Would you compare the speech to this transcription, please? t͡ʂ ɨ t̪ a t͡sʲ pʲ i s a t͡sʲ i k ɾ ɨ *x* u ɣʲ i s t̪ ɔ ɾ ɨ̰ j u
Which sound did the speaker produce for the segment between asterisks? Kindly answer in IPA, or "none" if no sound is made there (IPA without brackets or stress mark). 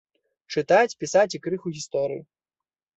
x